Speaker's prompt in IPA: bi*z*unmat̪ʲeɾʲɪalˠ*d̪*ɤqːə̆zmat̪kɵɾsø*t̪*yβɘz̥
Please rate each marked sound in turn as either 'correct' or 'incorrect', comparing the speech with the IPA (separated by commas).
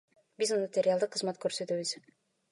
correct, correct, correct